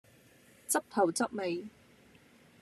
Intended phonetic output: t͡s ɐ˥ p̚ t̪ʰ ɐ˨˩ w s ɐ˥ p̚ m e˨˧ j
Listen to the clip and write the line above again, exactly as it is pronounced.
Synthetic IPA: t͡s ɐ˥ p̚ t̪ʰ ɐ˨˩ w t͡s ɐ˥ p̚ m e˨˧ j